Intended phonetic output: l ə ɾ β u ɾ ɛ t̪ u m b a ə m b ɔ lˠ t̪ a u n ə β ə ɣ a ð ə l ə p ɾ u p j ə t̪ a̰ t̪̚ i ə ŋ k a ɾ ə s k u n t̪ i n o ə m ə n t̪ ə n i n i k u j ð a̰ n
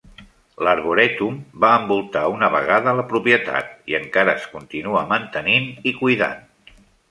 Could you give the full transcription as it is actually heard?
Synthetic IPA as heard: l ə ɾ β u ɾ ɛ t̪ u m b a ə m b u lˠ t̪ a u n ə β ə ɣ a ð ə l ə p ɾ u p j ə t̪ a̰ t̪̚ i ə ŋ k a ɾ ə s k u n t̪ i n u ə m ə n t̪ ə n i n i k u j ð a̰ n